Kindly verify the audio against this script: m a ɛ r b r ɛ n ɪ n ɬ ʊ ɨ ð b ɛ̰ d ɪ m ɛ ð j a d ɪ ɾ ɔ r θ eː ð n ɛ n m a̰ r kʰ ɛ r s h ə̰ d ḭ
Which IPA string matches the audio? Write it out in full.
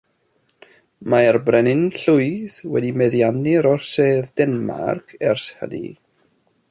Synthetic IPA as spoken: m a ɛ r b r ɛ n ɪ n ɬ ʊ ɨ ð w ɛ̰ d i m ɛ ð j a n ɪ ɾ ɔ r s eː ð d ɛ n m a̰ r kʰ ɛ r s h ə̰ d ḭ

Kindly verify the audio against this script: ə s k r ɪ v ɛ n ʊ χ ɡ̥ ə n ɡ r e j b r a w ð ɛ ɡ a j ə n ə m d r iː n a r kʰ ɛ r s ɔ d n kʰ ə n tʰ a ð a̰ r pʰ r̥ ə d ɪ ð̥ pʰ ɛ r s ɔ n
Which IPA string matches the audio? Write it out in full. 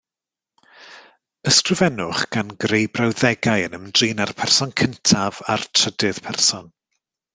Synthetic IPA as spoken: ə s k r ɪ v ɛ n ʊ χ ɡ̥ a n ɡ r e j b r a w ð ɛ ɡ a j ə n ə m d r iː n a r pʰ ɛ r s ɔ n kʰ ə n tʰ a v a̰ r tʰ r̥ ə d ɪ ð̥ pʰ ɛ r s ɔ n

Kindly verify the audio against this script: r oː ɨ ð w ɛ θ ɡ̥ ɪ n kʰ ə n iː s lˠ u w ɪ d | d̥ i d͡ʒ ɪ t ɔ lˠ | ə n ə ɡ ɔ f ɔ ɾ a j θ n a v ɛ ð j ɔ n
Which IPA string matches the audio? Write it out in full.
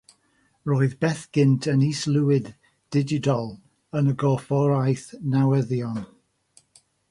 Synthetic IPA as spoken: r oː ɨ ð b ɛ θ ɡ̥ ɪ n tʰ ə n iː s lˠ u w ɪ d | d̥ ɪ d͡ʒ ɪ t ɔ lˠ | ə n ə ɡ ɔ f ɔ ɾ a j θ n a w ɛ ð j ɔ n

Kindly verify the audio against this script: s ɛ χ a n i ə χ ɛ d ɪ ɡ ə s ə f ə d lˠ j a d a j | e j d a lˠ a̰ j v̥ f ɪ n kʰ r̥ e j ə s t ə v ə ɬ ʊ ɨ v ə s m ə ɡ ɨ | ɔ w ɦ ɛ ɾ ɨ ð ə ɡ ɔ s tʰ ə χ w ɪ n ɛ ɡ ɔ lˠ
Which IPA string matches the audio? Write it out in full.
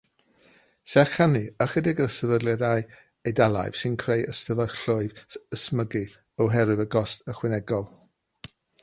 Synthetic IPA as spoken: s ɛ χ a n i ə χ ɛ d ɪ ɡ ə s ə v ə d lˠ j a d a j | e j d a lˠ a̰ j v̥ s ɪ n kʰ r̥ e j ə s t ə v ə ɬ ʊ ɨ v ə s m ə ɡ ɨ | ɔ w ɦ ɛ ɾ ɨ v ə ɡ ɔ s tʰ ə χ w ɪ n ɛ ɡ ɔ lˠ

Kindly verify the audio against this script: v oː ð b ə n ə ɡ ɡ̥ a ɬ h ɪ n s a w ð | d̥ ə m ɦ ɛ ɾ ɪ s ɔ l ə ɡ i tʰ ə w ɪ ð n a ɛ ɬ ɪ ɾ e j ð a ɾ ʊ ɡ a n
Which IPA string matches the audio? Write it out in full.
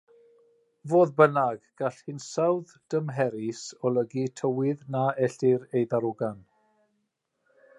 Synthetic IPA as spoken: v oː ð b ə n a ɡ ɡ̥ a ɬ h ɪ n s a w ð | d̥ ə m ɦ ɛ ɾ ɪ s ɔ l ə ɡ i tʰ ə w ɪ ð n a ɛ ɬ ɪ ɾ e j ð a ɾ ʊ ɡ a n

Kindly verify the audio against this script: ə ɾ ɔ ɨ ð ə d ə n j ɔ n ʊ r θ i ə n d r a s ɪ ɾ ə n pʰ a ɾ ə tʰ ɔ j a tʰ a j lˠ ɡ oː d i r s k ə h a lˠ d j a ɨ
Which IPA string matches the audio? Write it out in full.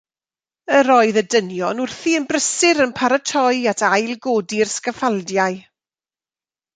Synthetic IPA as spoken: ə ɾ ɔ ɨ ð ə d ə n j ɔ n ʊ r θ i ə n b r ə s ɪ ɾ ə n pʰ a ɾ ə tʰ ɔ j a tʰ a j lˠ ɡ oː d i r s k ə f a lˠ d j a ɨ

